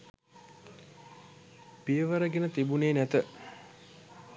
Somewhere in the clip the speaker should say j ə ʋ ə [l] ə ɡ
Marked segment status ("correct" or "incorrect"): incorrect